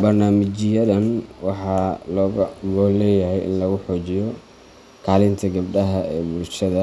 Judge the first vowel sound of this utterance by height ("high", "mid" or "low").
low